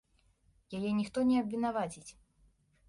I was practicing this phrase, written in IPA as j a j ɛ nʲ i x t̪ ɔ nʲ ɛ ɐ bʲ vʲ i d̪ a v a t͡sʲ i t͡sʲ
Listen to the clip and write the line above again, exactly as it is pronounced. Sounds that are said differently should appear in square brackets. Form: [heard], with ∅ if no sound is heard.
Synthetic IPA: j a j ɛ nʲ i x t̪ ɔ nʲ ɛ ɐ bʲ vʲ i [n̪] a v a t͡sʲ i t͡sʲ